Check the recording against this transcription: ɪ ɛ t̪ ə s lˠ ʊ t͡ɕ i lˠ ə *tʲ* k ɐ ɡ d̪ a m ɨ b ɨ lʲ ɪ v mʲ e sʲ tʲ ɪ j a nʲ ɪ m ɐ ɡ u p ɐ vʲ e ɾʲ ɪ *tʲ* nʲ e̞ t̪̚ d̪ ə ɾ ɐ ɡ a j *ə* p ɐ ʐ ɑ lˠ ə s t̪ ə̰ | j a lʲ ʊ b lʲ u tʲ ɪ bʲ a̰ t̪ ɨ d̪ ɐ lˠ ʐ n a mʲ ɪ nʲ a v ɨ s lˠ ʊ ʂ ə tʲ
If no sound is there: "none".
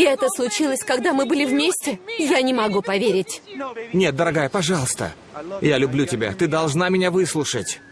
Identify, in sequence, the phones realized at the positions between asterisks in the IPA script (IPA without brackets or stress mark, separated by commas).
sʲ, tʲ, ə